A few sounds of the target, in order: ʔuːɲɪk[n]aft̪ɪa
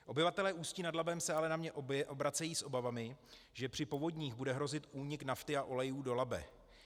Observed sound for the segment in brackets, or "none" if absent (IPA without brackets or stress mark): n